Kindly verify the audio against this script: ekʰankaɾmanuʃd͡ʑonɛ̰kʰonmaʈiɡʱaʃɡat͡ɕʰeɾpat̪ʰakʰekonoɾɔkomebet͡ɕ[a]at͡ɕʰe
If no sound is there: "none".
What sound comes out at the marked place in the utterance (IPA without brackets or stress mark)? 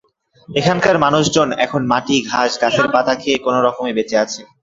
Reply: e